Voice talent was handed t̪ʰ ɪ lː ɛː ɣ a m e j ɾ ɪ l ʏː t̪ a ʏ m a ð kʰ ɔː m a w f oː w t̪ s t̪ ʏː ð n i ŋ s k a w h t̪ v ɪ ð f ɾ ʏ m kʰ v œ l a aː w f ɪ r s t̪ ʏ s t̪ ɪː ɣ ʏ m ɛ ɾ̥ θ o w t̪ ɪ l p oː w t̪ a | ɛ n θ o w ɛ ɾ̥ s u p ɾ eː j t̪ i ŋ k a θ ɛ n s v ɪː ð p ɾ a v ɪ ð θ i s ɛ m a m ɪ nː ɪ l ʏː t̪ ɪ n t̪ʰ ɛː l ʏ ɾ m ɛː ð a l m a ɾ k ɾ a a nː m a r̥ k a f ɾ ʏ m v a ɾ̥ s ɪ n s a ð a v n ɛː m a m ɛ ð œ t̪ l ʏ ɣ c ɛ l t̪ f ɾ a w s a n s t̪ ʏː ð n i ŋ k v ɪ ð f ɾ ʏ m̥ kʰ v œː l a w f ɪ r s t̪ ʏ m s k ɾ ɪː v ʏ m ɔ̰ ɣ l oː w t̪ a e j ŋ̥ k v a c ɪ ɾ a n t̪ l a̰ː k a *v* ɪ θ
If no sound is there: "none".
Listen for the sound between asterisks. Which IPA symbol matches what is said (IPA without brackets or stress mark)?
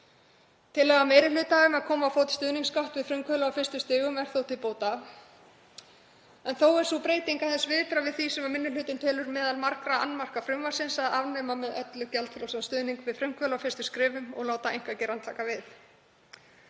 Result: v